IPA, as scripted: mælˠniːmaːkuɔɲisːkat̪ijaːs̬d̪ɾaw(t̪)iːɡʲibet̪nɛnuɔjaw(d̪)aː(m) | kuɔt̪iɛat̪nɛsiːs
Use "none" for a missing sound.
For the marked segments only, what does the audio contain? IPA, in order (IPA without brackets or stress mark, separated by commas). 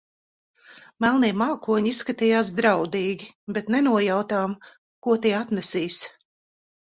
d̪, t̪, m